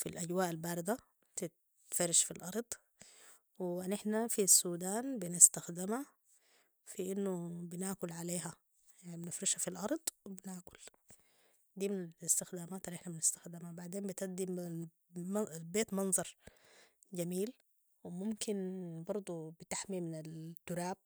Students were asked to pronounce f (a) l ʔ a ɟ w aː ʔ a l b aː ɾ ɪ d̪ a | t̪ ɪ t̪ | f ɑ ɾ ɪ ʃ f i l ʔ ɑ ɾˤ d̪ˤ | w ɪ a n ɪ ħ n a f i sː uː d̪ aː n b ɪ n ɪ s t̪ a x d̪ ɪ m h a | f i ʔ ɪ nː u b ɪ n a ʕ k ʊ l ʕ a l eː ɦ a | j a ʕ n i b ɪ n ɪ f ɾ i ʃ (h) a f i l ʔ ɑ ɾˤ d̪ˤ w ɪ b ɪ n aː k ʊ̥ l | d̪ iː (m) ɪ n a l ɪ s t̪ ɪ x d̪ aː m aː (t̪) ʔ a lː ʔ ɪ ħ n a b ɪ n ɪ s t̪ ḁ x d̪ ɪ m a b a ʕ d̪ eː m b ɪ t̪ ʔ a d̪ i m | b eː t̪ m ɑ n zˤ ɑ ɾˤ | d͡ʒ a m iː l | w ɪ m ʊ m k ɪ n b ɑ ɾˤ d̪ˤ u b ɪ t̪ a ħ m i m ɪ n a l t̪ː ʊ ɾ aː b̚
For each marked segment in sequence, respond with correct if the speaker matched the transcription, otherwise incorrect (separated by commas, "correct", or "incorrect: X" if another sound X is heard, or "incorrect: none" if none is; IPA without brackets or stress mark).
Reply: incorrect: i, correct, correct, correct